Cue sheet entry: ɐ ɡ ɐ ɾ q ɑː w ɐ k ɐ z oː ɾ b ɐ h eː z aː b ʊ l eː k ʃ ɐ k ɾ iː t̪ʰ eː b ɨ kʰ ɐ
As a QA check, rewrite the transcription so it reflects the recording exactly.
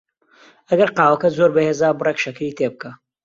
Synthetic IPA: ɐ ɡ ɐ ɾ q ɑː w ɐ k ɐ z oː ɾ b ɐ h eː z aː b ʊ r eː k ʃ ɐ k ɾ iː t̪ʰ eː b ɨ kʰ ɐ